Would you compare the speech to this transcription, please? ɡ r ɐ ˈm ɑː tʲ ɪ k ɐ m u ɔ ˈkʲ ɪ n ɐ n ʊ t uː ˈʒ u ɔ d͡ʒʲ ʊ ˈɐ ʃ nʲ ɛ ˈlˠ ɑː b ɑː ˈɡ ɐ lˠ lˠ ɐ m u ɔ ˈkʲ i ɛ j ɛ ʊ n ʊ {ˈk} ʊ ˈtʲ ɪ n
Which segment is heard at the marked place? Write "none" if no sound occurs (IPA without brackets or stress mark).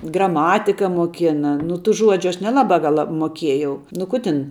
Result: k